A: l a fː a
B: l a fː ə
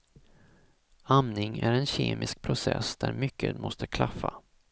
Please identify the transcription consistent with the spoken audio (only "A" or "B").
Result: A